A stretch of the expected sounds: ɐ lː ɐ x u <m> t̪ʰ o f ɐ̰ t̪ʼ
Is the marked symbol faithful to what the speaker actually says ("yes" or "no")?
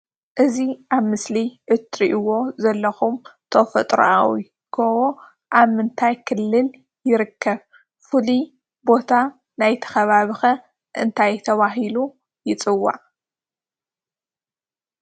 yes